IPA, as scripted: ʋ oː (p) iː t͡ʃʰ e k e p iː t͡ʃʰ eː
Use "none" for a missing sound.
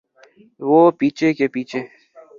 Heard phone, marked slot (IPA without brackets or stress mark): p